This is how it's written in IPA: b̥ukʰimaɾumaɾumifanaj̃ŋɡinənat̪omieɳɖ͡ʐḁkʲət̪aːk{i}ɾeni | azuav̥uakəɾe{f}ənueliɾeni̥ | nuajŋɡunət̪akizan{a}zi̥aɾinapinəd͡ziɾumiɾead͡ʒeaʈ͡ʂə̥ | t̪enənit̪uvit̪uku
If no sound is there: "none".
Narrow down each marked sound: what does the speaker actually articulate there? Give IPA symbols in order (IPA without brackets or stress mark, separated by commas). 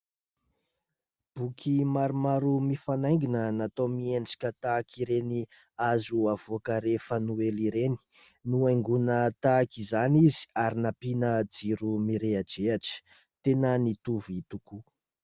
i, f, i